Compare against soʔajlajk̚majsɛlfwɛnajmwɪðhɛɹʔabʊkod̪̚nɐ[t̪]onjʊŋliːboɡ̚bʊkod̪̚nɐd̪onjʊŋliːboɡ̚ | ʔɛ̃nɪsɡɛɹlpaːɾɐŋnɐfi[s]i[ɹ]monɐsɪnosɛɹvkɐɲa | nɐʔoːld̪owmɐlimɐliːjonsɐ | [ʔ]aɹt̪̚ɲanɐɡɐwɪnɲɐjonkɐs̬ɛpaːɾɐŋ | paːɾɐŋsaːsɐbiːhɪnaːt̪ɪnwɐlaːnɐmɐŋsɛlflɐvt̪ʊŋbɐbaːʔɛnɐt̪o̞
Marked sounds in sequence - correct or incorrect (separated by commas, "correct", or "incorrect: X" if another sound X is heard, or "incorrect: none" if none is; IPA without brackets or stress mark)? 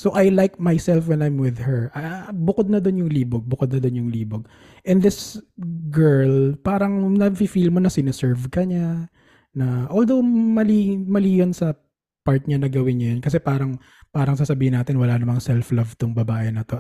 incorrect: d̪, incorrect: f, incorrect: l, incorrect: p